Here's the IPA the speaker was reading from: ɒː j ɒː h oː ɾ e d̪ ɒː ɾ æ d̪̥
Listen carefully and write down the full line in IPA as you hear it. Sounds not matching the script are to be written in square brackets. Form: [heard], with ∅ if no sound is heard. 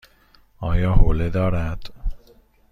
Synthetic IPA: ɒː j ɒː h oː [l] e d̪ ɒː ɾ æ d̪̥